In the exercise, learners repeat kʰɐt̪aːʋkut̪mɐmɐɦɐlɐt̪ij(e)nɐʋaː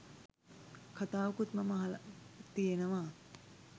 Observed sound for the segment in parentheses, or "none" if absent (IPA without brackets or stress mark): e